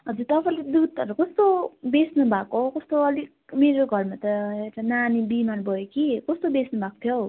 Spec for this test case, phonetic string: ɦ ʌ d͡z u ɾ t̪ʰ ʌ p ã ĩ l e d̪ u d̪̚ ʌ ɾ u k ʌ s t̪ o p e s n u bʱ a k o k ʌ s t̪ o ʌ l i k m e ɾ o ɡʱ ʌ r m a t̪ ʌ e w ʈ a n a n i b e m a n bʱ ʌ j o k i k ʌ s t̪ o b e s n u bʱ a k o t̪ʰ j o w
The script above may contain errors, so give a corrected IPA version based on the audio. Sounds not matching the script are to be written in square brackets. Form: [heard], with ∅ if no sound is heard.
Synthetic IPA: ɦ ʌ d͡z u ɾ [t̪] ʌ p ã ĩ l e d̪ u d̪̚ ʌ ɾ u k ʌ s t̪ o [b] e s n u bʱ a k o k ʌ s t̪ o ʌ l i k m e ɾ o ɡʱ ʌ r m a t̪ ʌ e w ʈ a n a n i b [i] m a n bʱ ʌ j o k i k ʌ s t̪ o b e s n u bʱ a k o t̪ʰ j o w